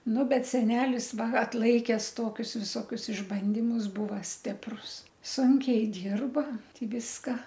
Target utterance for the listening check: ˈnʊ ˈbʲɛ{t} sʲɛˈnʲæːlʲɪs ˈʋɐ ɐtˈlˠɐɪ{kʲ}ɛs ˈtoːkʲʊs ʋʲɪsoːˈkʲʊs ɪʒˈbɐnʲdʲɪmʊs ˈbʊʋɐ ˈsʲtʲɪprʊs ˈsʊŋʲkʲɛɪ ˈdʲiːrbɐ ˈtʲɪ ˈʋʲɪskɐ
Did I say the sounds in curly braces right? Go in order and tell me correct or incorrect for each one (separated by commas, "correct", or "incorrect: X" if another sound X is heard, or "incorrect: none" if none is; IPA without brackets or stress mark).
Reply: correct, correct